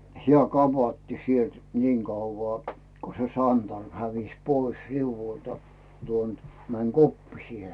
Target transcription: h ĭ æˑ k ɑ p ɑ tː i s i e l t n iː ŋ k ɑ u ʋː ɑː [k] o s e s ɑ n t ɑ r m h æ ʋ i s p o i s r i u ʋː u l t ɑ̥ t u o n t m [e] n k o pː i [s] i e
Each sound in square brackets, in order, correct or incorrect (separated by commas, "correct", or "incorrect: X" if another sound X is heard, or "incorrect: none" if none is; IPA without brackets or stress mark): correct, incorrect: æ, correct